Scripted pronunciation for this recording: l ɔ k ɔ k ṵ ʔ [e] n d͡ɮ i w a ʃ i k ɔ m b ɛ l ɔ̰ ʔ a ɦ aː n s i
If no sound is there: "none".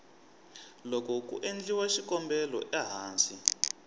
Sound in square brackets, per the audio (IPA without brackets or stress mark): e